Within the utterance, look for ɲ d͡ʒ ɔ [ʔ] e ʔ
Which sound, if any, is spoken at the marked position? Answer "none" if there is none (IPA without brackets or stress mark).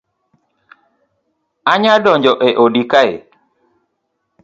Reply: ʔ